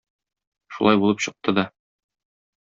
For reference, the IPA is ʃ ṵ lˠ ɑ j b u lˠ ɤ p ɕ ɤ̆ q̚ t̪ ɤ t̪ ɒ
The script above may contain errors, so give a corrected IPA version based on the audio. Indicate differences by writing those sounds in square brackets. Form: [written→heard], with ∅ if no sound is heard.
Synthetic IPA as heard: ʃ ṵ lˠ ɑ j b u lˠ ɤ p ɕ ɤ̆ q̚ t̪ ɤ [t̪→d̪] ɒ